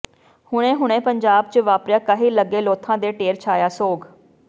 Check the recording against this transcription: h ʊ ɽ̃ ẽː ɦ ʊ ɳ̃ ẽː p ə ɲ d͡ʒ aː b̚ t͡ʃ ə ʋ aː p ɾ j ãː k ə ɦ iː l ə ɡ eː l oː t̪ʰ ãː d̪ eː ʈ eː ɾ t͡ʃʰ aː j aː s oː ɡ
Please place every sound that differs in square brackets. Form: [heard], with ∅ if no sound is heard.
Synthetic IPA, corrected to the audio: h ʊ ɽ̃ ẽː ɦ ʊ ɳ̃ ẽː p ə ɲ d͡ʒ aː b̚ t͡ʃ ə ʋ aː p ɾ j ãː k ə ɦ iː l ə ɡ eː l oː t̪ʰ ãː d̪ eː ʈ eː ɾ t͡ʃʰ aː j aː s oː ɡ